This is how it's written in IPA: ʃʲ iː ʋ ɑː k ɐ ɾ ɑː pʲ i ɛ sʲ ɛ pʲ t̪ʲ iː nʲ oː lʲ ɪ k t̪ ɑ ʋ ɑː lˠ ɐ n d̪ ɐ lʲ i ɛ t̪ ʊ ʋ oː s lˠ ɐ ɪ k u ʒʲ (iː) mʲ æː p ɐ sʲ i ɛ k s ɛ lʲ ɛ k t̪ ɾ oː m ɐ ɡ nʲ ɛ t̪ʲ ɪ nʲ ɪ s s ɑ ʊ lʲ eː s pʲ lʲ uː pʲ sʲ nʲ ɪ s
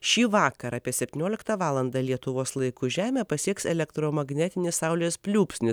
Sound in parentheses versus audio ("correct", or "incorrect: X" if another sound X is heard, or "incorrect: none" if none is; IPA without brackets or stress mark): incorrect: æː